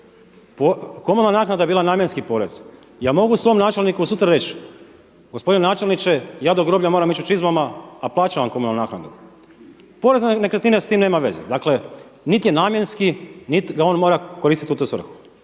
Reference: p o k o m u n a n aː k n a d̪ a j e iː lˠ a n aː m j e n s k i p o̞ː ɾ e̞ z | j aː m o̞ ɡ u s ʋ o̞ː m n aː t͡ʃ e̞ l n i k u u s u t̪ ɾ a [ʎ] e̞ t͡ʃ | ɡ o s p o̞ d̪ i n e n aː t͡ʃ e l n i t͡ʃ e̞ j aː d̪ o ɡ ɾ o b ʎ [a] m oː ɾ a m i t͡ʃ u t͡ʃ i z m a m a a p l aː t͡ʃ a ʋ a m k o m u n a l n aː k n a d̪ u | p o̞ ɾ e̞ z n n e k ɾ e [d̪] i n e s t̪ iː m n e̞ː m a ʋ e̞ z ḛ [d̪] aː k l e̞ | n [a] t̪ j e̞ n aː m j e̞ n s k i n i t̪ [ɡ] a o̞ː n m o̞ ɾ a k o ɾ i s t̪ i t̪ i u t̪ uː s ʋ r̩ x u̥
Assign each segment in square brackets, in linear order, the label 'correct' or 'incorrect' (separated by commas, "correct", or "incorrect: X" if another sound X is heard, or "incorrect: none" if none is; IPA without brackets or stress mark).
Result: incorrect: ɾ, correct, incorrect: t̪, correct, incorrect: i, correct